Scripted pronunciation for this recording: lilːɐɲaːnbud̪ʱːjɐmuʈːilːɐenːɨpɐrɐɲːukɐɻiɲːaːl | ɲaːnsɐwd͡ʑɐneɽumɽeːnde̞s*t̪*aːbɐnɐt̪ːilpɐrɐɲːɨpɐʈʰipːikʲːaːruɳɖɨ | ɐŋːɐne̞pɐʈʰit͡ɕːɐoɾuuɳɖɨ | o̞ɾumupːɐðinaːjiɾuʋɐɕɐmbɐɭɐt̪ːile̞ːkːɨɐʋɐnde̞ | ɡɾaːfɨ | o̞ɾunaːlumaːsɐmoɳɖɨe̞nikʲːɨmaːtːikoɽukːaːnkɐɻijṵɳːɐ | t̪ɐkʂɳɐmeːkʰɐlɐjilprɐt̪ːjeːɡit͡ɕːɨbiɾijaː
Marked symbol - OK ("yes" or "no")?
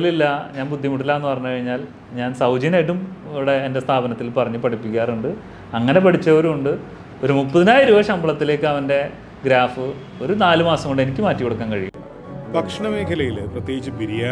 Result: no